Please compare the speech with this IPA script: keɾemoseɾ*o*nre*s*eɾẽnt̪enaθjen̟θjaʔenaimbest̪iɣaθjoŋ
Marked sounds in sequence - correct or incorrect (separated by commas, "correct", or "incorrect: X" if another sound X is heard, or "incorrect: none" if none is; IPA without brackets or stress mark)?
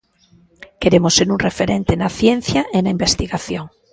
incorrect: u, incorrect: f